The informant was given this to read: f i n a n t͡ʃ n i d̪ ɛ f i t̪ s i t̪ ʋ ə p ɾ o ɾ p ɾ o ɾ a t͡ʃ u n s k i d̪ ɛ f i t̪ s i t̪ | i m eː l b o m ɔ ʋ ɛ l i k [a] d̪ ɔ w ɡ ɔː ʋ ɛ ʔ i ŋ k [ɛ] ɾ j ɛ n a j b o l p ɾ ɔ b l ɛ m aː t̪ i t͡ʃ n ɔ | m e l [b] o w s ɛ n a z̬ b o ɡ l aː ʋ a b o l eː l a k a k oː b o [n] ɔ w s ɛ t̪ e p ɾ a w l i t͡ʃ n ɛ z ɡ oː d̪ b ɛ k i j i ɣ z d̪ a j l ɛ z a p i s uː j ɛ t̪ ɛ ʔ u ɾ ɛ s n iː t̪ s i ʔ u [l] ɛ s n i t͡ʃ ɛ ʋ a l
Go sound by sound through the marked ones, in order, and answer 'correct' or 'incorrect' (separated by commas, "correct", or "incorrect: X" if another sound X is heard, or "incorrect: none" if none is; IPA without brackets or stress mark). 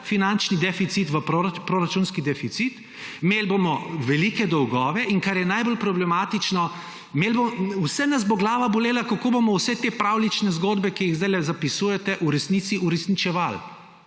incorrect: ɛ, incorrect: a, correct, incorrect: m, incorrect: ɾ